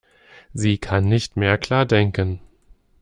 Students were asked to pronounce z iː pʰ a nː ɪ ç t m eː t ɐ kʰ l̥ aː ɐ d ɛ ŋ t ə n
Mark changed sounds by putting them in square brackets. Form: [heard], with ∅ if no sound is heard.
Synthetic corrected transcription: z iː [kʰ] a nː ɪ ç t m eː [∅] ɐ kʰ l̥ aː ɐ d ɛ ŋ [k] ə n